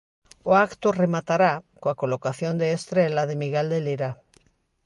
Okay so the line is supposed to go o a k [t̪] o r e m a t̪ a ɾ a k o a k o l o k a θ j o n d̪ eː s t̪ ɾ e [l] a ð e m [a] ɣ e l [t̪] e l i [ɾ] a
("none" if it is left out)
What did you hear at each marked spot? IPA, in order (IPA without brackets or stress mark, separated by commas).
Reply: t̪, l, i, d̪, ɾ